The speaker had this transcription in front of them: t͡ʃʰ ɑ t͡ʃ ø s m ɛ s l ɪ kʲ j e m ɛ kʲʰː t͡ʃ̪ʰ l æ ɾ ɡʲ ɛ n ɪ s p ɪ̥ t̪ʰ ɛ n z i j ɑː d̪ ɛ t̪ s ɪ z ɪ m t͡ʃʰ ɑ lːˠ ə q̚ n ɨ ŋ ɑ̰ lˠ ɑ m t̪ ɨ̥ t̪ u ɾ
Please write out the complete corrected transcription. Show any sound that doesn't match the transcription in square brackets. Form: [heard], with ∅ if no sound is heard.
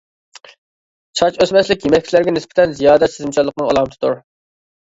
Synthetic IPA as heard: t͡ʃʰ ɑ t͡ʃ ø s m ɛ s l ɪ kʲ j e m ɛ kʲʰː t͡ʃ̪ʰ l æ ɾ ɡʲ ɛ n ɪ s p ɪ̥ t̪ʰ ɛ n z i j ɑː d̪ ɛ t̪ s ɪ z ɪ m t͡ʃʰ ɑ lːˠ ə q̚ n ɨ ŋ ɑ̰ lˠ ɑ m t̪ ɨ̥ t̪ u ɾ